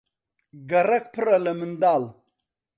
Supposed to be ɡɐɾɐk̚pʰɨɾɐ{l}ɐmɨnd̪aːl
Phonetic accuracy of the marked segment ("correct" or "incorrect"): correct